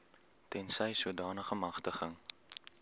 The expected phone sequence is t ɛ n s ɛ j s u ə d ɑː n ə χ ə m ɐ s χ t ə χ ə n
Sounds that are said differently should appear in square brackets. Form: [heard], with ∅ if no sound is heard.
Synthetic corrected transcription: t ɛ n s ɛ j s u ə d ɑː n ə χ ə m ɐ [∅] χ t ə χ ə [ŋ]